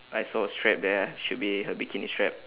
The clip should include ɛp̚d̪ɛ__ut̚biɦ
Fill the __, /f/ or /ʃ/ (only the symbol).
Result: ʃ